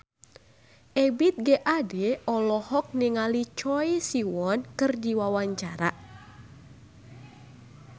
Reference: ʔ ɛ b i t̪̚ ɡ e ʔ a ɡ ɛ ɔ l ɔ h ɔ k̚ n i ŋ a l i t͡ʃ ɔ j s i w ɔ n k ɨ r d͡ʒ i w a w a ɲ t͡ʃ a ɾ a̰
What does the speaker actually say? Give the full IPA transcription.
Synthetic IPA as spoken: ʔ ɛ b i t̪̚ ɡ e ʔ a d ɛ ɔ l ɔ h ɔ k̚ n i ŋ a l i t͡ʃ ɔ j s i w ɔ n k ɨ r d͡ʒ i w a w a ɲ t͡ʃ a ɾ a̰